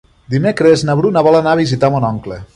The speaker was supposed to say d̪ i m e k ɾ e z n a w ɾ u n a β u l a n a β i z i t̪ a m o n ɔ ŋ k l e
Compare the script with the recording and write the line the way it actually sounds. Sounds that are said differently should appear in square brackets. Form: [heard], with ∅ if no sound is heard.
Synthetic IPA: d̪ i m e k ɾ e z n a [β] ɾ u n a β [ɔ] l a n a β i z i t̪ a m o n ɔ ŋ k l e